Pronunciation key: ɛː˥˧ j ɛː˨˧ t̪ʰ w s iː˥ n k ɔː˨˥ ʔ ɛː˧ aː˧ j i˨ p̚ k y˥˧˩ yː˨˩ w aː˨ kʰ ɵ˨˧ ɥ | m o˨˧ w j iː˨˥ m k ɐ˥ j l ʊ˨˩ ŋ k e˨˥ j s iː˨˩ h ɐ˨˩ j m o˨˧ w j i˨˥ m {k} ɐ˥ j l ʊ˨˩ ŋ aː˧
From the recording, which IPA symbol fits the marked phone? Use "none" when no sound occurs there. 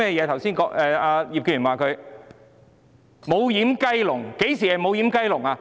k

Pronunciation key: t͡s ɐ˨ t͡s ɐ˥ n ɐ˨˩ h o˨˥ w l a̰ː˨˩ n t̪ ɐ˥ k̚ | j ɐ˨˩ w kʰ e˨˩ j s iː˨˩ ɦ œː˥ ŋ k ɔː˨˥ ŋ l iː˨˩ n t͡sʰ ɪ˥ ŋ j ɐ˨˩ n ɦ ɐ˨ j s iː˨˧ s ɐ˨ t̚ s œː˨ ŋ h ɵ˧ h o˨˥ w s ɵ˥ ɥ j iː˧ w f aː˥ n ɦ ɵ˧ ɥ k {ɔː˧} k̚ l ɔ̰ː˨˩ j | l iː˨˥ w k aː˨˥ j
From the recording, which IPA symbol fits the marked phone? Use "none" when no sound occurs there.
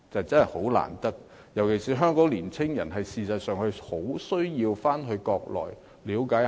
ɔː˧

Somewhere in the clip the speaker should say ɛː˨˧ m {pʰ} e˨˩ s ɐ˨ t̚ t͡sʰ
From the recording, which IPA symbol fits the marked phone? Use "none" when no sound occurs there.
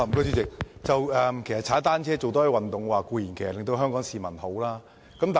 kʰ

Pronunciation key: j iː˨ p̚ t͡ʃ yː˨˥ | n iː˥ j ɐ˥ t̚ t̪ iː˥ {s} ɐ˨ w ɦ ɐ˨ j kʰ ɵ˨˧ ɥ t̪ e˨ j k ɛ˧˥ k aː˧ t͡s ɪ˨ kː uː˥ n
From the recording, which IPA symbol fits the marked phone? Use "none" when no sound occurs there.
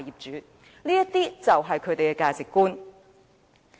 t͡s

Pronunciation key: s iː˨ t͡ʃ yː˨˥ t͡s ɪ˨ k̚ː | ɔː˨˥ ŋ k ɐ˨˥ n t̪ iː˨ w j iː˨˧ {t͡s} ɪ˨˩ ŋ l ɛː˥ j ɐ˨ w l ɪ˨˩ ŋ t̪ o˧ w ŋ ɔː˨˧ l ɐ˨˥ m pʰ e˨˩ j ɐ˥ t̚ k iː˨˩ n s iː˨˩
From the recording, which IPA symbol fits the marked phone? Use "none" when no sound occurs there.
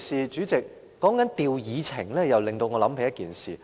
t͡sʰ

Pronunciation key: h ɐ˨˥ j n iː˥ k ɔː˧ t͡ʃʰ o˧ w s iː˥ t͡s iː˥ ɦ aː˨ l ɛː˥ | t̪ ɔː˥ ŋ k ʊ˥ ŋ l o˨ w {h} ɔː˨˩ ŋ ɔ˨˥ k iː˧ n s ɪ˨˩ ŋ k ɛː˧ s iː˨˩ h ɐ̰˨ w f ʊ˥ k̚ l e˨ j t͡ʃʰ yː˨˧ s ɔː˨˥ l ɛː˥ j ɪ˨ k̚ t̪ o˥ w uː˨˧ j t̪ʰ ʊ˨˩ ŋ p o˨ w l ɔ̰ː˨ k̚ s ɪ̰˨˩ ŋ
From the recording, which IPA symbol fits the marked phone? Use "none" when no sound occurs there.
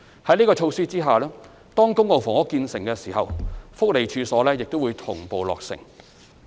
f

